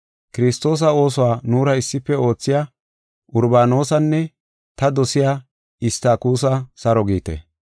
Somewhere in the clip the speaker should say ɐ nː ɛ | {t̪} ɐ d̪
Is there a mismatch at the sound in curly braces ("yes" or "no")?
no